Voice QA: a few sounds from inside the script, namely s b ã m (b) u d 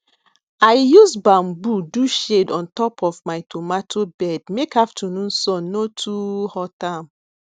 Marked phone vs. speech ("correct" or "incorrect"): correct